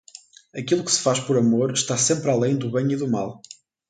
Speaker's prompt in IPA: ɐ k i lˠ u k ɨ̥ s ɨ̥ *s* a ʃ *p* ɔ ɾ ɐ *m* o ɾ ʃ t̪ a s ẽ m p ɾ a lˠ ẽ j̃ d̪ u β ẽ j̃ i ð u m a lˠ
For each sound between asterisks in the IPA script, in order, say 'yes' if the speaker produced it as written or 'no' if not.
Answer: no, yes, yes

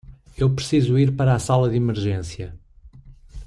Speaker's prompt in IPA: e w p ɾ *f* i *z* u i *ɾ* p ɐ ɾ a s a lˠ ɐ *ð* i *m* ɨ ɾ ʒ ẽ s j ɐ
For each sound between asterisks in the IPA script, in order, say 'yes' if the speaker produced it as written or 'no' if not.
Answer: no, yes, yes, yes, yes

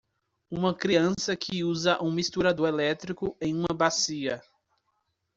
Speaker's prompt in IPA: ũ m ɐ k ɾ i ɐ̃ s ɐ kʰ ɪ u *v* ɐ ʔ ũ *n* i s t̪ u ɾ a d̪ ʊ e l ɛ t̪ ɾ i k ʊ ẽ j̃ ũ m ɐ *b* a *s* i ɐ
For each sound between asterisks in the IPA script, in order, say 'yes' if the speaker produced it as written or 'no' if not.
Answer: no, no, yes, yes

